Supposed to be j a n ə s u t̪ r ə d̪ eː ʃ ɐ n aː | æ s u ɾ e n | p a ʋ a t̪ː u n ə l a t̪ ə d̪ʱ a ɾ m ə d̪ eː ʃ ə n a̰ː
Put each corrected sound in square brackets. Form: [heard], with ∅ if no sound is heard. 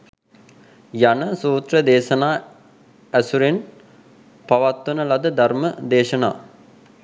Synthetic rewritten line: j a n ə s [uː] t̪ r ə d̪ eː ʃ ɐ n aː | æ s u ɾ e n | p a ʋ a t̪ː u n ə l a [d̪] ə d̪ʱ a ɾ m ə d̪ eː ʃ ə n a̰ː